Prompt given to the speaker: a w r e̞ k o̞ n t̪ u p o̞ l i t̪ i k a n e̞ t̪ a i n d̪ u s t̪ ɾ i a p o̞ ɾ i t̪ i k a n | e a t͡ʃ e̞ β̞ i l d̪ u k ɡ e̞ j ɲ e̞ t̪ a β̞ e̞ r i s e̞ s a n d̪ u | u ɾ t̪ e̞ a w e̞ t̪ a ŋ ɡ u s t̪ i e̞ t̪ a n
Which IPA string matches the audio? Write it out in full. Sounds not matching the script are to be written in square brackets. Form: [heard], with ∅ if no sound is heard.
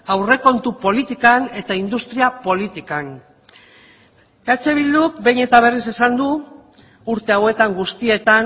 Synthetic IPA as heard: a w r e̞ k o̞ n t̪ u p o̞ l i t̪ i k a n e̞ t̪ a i n d̪ u s t̪ ɾ i a p o̞ [l] i t̪ i k a n | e a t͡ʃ e̞ β̞ i l d̪ u k [b] e̞ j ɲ e̞ t̪ a β̞ e̞ r i s e̞ s a n d̪ u | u ɾ t̪ e̞ a w e̞ t̪ a ŋ ɡ u s t̪ i e̞ t̪ a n